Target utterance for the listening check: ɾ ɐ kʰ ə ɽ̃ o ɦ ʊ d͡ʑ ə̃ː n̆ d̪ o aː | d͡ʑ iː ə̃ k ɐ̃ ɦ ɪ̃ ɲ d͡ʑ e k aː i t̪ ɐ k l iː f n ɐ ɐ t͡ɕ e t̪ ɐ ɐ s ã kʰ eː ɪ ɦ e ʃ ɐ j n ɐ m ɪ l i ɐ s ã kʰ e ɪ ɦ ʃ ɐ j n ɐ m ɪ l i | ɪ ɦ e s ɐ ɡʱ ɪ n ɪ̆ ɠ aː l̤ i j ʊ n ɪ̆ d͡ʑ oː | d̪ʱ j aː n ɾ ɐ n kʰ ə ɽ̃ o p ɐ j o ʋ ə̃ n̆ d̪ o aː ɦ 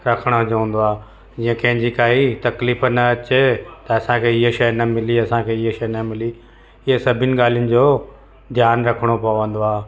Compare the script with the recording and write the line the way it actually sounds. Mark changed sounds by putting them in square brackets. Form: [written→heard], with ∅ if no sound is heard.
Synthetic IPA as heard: ɾ ɐ kʰ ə ɽ̃ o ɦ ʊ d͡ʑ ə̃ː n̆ d̪ o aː | d͡ʑ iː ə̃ k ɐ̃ ɦ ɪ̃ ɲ d͡ʑ [e→i] k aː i t̪ ɐ k l iː f n ɐ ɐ t͡ɕ e t̪ ɐ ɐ s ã kʰ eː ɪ ɦ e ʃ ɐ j n ɐ m ɪ l i ɐ s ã kʰ e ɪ ɦ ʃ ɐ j n ɐ m ɪ l i | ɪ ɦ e s ɐ [ɡʱ→bʱ] ɪ n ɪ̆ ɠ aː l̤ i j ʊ n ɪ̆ d͡ʑ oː | d̪ʱ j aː n ɾ ɐ [n→∅] kʰ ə ɽ̃ o p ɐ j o ʋ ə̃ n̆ d̪ o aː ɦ